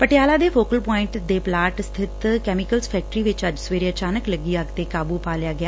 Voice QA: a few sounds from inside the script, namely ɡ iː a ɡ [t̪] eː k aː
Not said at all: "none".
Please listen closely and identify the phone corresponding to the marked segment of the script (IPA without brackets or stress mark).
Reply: t̪